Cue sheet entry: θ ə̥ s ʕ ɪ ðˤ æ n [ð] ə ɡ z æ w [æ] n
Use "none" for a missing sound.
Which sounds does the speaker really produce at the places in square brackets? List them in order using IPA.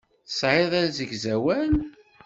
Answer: z, æ

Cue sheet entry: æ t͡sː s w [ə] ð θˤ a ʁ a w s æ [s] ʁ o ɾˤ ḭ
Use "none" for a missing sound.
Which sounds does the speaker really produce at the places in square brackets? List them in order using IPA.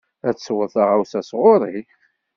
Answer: ə, s

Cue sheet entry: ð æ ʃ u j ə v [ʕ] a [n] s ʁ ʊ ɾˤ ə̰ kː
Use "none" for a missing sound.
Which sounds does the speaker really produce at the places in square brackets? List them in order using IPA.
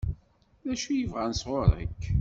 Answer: ʁ, n

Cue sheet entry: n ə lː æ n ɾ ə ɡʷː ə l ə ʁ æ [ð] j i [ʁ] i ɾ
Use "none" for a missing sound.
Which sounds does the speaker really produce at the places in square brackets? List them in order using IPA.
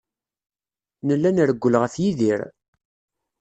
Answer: θ, ð

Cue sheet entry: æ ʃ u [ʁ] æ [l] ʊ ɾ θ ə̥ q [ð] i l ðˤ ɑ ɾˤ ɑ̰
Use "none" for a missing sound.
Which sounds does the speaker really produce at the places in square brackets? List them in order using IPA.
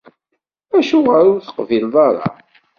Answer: ʁ, ɾ, v

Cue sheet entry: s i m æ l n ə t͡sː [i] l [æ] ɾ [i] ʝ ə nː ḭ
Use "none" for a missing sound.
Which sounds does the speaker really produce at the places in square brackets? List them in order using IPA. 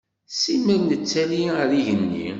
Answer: æ, i, i

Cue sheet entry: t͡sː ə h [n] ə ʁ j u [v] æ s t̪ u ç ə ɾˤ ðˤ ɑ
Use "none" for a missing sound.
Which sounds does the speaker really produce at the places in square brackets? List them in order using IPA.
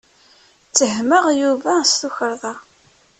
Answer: m, v

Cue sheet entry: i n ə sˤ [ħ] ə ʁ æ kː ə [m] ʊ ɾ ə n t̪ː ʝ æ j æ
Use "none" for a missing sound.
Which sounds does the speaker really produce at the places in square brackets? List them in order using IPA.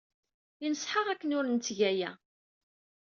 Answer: ħ, n

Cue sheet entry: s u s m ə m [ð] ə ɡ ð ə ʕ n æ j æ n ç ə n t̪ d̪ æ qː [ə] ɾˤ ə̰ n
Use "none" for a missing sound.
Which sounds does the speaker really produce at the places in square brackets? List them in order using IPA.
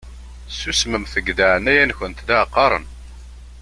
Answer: θ, ɑ

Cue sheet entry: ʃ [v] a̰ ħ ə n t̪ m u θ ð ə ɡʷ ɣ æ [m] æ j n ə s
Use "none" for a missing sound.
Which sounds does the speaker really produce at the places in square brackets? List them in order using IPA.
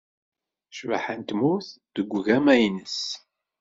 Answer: v, m

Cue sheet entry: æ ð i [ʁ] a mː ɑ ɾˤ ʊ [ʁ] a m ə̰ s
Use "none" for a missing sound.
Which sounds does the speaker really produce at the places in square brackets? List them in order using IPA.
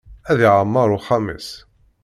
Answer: ʕ, χ

